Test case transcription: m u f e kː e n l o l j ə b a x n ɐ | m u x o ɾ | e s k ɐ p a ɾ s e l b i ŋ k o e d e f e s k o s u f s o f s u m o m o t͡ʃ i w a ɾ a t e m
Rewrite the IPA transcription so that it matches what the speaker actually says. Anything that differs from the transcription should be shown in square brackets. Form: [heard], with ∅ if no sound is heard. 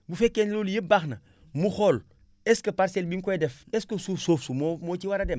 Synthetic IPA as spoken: [b] u f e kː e n l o l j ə b a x n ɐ | m u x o [l] | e s k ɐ p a ɾ s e l b i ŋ k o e d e f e s k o s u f s o f s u m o m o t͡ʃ i w a ɾ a [d] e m